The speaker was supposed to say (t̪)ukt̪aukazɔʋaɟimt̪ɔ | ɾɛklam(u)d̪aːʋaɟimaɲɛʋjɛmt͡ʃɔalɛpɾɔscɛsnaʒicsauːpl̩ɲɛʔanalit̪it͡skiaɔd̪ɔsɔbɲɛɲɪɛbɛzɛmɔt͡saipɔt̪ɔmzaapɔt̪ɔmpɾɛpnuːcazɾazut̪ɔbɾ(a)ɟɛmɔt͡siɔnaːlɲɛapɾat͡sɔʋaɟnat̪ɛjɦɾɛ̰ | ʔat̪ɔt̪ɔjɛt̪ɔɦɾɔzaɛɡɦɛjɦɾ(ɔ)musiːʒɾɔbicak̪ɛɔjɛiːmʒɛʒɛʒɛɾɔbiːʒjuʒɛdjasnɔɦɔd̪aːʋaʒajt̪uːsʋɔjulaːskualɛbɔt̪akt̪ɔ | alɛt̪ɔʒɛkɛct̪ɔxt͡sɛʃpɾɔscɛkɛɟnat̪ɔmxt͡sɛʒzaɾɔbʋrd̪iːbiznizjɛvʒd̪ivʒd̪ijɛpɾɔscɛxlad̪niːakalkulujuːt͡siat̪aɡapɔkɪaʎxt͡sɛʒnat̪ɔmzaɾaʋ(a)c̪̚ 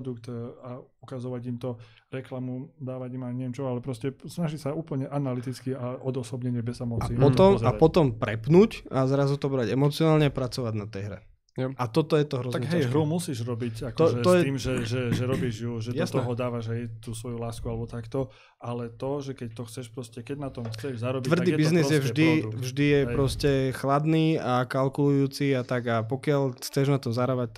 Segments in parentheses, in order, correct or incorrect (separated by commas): incorrect, correct, correct, incorrect, correct